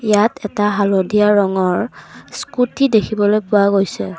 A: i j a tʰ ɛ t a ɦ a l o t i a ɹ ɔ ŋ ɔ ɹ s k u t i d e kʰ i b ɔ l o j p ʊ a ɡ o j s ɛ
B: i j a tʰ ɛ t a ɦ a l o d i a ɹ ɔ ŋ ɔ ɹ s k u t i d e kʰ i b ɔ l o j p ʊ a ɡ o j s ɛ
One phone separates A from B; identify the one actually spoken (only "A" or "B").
B